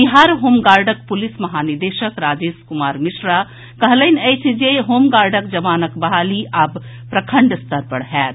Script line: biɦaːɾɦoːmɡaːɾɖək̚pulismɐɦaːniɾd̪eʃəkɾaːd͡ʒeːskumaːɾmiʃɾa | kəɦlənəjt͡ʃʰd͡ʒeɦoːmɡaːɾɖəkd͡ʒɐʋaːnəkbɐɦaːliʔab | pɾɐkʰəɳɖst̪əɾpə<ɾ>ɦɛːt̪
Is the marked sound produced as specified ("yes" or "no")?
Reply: no